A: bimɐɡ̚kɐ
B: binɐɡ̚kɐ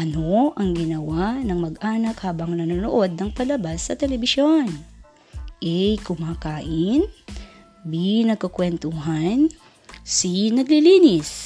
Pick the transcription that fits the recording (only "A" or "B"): B